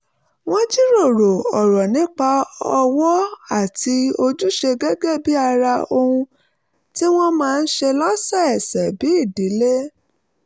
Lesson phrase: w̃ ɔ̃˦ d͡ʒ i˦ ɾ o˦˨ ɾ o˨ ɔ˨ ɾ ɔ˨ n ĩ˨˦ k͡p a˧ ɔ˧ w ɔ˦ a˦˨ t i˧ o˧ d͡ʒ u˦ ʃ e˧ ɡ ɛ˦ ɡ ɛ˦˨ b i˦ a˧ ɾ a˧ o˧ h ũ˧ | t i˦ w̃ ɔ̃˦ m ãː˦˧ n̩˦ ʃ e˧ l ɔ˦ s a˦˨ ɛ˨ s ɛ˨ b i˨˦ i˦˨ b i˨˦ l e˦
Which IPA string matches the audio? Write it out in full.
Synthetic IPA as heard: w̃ ɔ̃˦ d͡ʒ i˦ ɾ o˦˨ ɾ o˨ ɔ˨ ɾ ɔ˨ n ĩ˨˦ k͡p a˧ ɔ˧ w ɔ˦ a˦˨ t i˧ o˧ d͡ʒ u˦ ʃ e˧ ɡ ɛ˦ ɡ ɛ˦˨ b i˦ a˧ ɾ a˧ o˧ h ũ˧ | t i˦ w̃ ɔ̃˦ m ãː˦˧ n̩˦ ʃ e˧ l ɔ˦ s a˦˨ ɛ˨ s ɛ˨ b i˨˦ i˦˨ d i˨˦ l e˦